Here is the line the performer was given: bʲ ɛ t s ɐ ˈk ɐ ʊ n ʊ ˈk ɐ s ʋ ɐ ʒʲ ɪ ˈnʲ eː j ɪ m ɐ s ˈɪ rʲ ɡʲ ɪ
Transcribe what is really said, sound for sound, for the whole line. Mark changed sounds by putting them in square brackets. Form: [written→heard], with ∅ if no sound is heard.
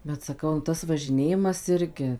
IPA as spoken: bʲ ɛ t s ɐ ˈk ɐ ʊ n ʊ [ˈk→ˈt] ɐ s ʋ ɐ ʒʲ ɪ ˈnʲ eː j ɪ m ɐ s ˈɪ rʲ ɡʲ ɪ